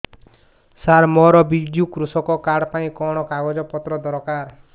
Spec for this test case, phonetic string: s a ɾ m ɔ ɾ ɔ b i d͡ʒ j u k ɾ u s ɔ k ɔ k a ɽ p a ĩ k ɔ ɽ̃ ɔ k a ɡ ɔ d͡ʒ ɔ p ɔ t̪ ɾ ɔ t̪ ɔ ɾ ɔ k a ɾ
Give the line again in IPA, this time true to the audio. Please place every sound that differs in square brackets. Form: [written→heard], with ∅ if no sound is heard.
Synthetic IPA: s a ɾ m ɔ ɾ ɔ b i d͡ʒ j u k ɾ u s ɔ k ɔ k a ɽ p a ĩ k ɔ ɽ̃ ɔ k a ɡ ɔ d͡ʒ ɔ p ɔ t̪ ɾ ɔ [t̪→d̪] ɔ ɾ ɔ k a ɾ